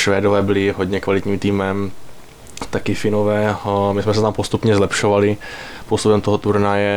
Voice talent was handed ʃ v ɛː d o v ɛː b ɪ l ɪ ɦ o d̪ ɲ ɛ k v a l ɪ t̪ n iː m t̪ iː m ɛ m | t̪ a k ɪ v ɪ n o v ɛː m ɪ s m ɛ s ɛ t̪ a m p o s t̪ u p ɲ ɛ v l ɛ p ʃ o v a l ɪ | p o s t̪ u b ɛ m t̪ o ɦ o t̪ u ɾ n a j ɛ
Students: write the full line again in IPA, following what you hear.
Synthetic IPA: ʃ v ɛː d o v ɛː b ɪ l ɪ ɦ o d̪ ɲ ɛ k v a l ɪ t̪ ɲ iː m t̪ iː m ɛ m | t̪ a k ɪ f ɪ n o v ɛː m ɪ s m ɛ s ɛ t̪ a m p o s t̪ u p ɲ ɛ z l ɛ p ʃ o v a l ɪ | p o s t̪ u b ɛ m t̪ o ɦ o t̪ u ɾ n a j ɛ